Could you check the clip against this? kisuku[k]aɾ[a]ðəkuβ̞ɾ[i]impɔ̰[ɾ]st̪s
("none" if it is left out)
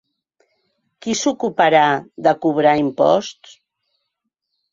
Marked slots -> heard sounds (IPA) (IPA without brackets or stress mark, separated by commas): p, a, a, none